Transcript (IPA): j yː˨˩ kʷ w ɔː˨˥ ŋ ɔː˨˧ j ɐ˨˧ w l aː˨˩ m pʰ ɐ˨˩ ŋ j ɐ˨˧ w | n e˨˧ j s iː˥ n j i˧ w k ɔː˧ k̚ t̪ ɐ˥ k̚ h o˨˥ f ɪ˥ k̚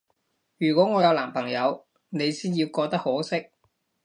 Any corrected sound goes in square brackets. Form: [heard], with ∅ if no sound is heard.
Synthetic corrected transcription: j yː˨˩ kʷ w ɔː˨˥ ŋ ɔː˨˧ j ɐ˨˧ w l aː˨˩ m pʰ ɐ˨˩ ŋ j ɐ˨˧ w | n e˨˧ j s iː˥ n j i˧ w k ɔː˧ k̚ t̪ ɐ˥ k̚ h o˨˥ [s] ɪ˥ k̚